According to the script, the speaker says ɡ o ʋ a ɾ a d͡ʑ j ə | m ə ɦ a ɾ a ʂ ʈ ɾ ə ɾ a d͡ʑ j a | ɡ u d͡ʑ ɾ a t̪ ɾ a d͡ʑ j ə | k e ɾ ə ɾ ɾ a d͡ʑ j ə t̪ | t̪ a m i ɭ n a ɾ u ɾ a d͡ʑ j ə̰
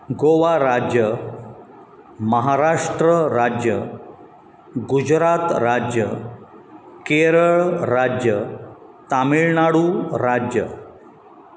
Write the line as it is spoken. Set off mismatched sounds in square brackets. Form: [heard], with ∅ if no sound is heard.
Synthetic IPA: ɡ o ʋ a ɾ a d͡ʑ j ə | m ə ɦ a ɾ a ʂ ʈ ɾ ə ɾ a d͡ʑ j [ə] | ɡ u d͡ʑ ɾ a t̪ ɾ a d͡ʑ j ə | k e ɾ ə [ɭ] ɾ a d͡ʑ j ə [∅] | t̪ a m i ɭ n a [ɽ] u ɾ a d͡ʑ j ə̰